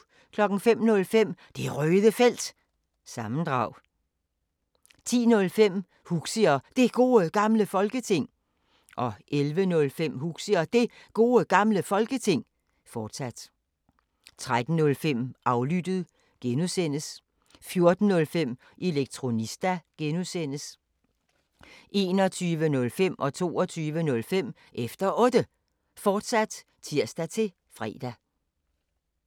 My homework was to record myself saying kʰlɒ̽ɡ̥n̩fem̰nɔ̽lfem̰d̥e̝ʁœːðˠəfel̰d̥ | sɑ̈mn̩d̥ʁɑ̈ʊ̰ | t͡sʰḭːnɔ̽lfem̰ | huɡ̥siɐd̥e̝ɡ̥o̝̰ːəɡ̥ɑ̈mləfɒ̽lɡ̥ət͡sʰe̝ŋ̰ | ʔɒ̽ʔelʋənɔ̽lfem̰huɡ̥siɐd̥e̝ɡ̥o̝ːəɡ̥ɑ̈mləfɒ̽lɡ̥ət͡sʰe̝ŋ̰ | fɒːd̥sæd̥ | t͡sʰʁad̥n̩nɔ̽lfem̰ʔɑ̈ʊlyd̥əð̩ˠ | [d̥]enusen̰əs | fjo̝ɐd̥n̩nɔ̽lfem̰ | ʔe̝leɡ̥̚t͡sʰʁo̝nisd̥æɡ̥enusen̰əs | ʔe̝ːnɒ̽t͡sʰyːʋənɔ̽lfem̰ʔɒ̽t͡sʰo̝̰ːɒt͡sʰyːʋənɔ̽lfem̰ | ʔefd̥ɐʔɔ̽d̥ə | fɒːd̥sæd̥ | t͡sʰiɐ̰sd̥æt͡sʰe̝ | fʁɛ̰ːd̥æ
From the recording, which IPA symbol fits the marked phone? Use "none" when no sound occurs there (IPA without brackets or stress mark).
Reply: ɡ̥